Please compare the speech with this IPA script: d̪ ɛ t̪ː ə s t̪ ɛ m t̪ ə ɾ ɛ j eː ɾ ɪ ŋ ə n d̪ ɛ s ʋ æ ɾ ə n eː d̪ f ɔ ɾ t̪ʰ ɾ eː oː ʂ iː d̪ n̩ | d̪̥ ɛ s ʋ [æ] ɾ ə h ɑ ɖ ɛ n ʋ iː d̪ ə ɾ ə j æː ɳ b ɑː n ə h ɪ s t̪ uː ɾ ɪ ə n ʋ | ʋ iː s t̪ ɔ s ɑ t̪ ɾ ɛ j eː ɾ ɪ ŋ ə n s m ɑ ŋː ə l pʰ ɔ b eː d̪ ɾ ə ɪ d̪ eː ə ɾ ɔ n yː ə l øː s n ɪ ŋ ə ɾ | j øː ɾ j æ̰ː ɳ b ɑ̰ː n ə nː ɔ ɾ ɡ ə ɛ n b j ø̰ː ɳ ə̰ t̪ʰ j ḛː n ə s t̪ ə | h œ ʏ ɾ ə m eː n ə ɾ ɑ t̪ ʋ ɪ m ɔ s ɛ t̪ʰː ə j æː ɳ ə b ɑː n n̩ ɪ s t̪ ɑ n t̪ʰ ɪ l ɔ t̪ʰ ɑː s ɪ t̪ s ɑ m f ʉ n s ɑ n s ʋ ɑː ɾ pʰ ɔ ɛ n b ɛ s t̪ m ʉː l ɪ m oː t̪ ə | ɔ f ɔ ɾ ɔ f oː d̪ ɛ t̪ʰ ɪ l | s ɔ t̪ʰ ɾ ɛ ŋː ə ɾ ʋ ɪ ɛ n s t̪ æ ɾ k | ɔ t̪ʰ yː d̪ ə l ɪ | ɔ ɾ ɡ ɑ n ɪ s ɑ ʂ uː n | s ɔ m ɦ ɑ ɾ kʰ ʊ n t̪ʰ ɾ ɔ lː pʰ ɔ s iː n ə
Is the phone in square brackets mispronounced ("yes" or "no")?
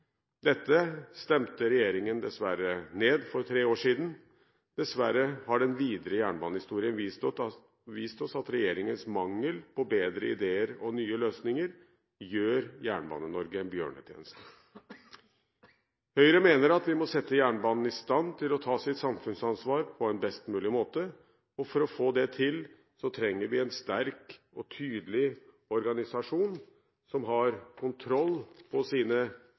no